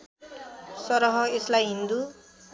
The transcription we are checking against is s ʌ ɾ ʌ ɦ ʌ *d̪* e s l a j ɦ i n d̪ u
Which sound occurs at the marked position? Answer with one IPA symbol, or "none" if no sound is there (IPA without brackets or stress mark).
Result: none